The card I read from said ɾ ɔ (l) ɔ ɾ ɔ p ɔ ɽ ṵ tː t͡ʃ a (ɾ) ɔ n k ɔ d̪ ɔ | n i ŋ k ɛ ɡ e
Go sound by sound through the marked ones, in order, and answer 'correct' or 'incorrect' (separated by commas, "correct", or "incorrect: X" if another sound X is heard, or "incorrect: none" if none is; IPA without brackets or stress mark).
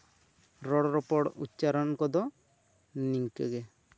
incorrect: ɽ, correct